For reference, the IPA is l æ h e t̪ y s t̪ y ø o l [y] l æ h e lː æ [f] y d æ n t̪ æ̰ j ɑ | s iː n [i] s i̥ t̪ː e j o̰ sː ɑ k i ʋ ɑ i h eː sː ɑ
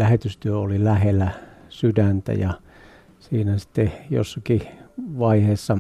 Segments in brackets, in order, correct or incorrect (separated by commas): incorrect, incorrect, incorrect